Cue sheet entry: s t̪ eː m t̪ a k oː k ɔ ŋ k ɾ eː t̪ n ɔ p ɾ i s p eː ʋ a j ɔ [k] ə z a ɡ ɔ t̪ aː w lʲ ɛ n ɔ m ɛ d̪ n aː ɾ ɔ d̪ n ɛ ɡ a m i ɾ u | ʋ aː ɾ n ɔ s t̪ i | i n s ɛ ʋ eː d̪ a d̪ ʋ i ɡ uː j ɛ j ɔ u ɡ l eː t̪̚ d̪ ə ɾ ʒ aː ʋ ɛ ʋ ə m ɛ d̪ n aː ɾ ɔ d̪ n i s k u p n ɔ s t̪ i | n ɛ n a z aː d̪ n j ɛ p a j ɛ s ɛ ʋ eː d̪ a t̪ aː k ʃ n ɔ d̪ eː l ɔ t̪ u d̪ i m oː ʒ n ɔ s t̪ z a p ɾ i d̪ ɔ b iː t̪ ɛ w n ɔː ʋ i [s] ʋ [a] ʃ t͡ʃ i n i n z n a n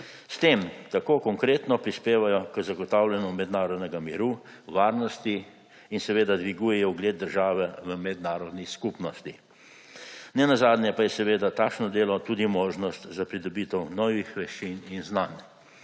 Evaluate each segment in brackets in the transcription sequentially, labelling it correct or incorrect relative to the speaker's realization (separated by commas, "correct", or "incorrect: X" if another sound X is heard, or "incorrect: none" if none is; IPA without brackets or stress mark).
correct, incorrect: x, incorrect: ɛ